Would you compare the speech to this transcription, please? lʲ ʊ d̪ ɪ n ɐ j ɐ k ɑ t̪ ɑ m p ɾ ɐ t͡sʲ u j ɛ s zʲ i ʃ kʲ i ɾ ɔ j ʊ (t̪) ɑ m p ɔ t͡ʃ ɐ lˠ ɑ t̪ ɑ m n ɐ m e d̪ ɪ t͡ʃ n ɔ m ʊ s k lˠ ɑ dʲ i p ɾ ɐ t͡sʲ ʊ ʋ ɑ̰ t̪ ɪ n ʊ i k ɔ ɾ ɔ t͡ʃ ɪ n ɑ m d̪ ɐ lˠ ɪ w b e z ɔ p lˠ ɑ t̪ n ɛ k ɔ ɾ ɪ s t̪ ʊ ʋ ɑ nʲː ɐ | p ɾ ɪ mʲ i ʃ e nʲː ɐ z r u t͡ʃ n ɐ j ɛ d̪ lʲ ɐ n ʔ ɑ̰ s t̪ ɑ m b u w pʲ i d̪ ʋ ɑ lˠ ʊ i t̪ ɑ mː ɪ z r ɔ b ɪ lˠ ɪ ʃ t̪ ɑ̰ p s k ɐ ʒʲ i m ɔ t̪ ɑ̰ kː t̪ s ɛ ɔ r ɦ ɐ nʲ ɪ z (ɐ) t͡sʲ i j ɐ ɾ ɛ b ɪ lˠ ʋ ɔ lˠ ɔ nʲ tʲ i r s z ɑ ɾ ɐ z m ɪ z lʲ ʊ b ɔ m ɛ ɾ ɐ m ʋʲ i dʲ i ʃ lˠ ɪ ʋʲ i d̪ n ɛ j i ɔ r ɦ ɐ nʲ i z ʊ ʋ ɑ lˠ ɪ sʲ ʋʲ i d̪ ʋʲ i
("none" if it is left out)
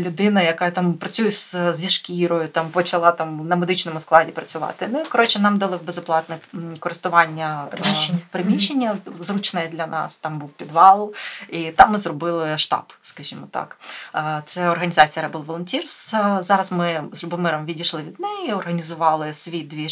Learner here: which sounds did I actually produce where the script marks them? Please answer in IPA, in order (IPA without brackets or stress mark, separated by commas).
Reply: t̪, ɑ